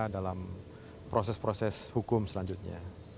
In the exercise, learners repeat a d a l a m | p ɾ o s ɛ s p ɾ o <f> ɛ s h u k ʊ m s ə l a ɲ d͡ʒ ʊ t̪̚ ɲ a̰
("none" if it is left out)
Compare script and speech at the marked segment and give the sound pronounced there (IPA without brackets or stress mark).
s